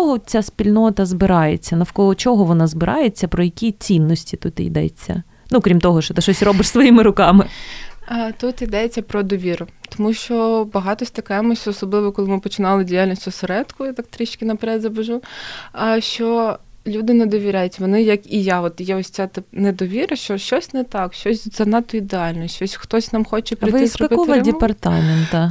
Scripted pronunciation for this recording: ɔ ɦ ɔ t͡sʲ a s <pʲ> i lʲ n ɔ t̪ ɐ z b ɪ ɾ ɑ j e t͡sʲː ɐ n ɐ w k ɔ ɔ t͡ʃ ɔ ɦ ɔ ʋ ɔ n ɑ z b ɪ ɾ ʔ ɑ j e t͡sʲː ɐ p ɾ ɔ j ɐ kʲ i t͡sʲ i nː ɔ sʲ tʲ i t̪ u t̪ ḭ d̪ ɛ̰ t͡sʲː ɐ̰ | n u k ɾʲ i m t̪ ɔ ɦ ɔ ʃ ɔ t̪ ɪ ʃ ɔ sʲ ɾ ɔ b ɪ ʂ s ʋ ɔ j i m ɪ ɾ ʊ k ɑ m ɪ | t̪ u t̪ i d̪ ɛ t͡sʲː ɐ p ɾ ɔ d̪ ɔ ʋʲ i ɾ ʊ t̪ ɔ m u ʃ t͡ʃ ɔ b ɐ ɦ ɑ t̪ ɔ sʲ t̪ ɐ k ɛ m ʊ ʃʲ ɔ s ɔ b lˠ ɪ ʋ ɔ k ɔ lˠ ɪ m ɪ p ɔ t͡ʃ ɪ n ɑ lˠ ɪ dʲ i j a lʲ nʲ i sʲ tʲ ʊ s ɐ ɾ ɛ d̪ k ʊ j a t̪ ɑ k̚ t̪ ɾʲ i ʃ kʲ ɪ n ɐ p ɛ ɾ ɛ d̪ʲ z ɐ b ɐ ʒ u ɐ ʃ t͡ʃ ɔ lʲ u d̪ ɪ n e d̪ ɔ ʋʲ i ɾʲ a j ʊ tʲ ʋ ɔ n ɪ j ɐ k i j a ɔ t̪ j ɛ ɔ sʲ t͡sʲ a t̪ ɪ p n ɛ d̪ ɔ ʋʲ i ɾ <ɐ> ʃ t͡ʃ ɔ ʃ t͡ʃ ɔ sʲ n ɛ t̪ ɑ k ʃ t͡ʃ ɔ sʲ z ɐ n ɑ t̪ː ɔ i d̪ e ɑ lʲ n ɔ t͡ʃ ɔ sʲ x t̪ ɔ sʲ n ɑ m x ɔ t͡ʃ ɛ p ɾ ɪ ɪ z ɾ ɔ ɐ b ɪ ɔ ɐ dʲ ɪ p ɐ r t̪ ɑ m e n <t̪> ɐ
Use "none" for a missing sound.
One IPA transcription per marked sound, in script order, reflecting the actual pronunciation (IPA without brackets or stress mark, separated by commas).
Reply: pʲ, ɐ, t̪